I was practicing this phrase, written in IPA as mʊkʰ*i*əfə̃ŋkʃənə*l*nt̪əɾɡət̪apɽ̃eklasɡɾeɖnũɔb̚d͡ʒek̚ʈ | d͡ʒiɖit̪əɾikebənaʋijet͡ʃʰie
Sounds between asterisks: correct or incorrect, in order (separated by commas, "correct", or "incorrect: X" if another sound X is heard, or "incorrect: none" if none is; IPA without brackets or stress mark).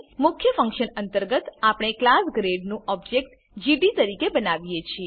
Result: incorrect: j, incorrect: none